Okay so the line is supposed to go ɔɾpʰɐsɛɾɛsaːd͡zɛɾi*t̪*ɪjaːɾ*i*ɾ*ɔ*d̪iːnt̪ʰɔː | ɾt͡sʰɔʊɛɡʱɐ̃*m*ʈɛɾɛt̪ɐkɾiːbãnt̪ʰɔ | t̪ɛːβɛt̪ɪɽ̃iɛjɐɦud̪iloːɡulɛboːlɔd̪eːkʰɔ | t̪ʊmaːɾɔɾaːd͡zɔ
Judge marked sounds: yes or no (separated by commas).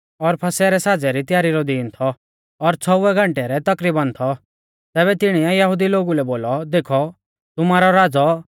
yes, yes, yes, no